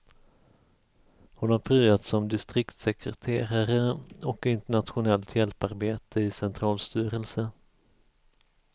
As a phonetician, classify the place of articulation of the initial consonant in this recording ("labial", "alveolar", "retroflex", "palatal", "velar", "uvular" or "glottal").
glottal